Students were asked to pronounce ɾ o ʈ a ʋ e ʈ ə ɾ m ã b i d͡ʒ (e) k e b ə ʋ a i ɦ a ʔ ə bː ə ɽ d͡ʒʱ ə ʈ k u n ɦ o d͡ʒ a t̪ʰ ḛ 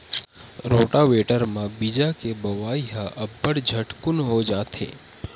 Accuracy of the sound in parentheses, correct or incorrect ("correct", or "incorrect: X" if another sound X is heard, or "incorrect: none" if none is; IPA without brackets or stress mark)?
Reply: incorrect: a